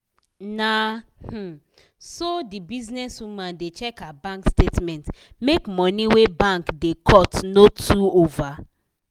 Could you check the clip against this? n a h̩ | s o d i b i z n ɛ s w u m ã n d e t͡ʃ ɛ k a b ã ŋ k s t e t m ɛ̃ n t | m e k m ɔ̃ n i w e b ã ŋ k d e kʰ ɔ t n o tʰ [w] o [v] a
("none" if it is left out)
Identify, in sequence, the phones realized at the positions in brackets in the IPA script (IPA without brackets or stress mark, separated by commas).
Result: u, v